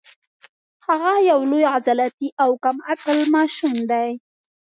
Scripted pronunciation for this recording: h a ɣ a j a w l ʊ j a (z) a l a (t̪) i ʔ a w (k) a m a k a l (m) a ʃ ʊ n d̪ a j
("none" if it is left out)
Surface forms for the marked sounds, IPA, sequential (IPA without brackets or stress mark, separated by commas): z, t̪, k, m